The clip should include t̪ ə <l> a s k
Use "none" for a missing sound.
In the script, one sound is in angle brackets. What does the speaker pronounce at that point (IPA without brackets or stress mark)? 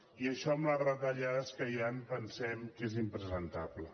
ʎ